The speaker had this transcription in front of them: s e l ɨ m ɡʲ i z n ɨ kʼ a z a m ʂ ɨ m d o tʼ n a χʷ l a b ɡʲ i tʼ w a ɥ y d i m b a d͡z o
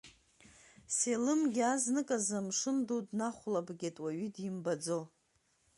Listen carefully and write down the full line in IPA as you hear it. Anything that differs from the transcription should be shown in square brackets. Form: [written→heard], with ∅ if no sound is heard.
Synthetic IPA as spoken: s e l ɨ m ɡʲ [i→a] z n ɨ kʼ a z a m ʂ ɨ m d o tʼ n a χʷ l a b ɡʲ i tʼ w a ɥ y d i m b a d͡z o